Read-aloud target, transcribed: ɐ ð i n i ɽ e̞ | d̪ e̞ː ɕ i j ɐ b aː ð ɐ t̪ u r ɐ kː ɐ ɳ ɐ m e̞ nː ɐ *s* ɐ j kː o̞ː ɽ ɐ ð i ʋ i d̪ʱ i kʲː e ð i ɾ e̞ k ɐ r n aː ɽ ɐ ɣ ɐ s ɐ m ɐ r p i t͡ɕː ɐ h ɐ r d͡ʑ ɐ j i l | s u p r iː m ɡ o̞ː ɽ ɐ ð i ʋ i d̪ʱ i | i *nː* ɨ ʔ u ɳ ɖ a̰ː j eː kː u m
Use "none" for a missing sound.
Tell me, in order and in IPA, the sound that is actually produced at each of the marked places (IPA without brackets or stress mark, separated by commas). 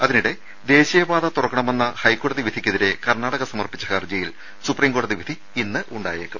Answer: h, nː